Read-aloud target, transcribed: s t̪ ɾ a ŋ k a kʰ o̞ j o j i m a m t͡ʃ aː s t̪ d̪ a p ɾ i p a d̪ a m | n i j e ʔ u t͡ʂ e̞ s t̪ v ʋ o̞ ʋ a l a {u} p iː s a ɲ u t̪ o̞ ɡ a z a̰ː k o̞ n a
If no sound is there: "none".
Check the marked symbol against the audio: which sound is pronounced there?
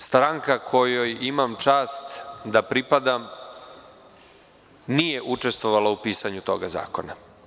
u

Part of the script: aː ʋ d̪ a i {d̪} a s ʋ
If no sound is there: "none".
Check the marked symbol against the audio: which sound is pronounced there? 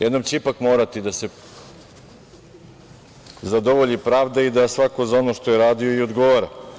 d̪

